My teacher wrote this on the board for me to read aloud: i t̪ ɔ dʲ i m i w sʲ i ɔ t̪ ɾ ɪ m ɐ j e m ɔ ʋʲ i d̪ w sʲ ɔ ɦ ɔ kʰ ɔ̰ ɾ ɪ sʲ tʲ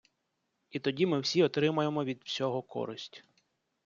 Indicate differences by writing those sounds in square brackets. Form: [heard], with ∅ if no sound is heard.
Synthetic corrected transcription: i t̪ ɔ dʲ i m [ɪ] w sʲ i ɔ t̪ ɾ ɪ m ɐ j e m ɔ ʋʲ i d̪ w sʲ ɔ ɦ ɔ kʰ ɔ̰ ɾ ɪ sʲ tʲ